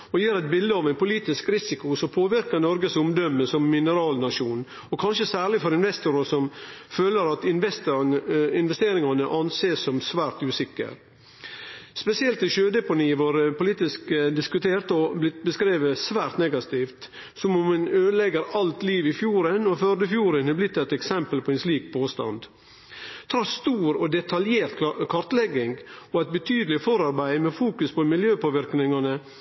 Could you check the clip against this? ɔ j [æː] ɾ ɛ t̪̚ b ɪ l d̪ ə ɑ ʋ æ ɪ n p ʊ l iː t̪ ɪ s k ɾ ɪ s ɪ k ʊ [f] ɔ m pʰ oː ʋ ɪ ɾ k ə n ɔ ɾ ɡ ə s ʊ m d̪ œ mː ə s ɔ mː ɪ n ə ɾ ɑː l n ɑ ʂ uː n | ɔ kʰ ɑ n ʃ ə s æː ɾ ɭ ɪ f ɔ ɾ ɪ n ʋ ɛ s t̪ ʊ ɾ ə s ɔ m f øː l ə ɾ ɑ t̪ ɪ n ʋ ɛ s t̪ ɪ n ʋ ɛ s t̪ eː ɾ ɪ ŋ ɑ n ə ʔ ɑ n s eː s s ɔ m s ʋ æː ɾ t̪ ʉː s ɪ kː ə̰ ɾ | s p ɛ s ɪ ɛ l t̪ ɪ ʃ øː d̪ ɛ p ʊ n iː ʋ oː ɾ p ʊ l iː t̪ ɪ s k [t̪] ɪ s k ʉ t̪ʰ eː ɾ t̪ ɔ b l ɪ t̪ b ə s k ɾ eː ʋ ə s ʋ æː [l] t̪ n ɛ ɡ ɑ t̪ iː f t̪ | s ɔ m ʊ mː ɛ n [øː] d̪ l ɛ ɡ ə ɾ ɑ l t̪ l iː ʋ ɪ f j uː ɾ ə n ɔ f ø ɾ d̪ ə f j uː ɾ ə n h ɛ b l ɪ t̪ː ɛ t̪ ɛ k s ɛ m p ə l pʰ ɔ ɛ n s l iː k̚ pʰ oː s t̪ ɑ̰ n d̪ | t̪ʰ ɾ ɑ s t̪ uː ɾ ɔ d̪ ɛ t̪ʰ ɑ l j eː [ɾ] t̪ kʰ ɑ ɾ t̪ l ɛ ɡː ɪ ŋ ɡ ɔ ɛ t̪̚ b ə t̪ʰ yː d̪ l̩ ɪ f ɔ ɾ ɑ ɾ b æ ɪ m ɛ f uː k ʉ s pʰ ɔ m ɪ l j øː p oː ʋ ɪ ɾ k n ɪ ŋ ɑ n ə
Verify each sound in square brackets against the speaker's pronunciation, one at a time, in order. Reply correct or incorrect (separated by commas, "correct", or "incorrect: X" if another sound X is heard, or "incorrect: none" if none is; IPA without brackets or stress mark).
incorrect: iː, incorrect: s, incorrect: d̪, incorrect: ɾ, correct, correct